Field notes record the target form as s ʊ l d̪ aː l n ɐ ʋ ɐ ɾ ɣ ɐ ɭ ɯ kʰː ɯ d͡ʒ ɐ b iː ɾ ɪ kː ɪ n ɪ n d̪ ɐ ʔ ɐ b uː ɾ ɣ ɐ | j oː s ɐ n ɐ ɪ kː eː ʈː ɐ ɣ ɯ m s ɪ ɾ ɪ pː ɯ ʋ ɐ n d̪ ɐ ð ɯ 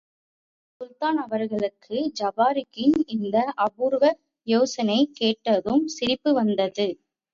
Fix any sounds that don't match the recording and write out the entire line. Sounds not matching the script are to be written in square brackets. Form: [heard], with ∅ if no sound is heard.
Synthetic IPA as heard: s ʊ l [t̪] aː [∅] n ɐ ʋ ɐ ɾ ɣ ɐ ɭ ɯ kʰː ɯ d͡ʒ ɐ b [aː] ɾ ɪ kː ɪ n ɪ n d̪ ɐ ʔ ɐ b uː ɾ ɣ ɐ | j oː s ɐ n ɐ ɪ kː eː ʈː ɐ [ð] ɯ m s ɪ ɾ ɪ pː ɯ ʋ ɐ n d̪ ɐ ð ɯ